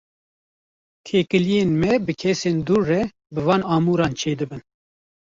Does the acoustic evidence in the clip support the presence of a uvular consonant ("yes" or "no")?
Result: no